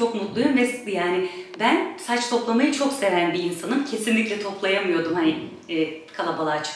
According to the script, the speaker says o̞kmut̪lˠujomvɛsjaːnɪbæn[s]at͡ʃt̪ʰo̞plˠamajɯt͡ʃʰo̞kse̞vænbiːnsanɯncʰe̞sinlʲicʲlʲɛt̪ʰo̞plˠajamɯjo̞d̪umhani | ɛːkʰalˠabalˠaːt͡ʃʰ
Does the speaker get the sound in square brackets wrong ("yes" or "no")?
no